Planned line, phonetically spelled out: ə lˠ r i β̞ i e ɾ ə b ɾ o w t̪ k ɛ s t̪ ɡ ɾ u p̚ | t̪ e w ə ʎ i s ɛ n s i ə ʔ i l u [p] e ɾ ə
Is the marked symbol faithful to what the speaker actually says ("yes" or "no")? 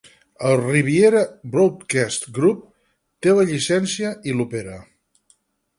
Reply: yes